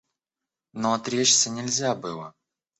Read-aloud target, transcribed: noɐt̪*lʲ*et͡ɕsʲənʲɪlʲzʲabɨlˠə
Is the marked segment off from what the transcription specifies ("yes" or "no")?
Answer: yes